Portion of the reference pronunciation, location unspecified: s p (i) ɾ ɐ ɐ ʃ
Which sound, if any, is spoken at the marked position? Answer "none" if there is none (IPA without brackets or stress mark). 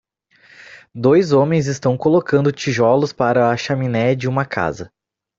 a